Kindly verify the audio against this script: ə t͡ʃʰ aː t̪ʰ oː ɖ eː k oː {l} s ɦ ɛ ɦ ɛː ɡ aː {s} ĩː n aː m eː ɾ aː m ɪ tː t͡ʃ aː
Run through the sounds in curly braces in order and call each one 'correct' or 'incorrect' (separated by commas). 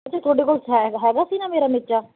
correct, correct